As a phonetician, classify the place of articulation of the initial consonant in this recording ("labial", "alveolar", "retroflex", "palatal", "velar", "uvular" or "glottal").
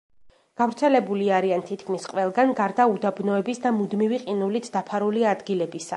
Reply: velar